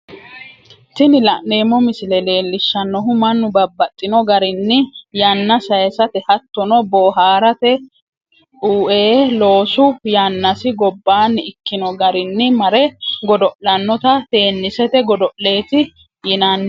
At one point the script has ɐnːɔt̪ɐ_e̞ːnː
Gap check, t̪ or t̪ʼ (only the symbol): t̪